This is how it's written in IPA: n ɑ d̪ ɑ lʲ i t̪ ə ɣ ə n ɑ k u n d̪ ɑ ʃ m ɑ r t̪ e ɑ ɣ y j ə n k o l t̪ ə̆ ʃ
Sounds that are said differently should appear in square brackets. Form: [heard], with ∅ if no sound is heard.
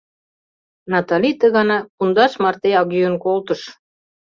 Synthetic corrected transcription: n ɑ [t̪] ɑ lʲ i t̪ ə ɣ [ɑ] n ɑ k u n d̪ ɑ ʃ m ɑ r t̪ e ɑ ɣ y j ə n k o l t̪ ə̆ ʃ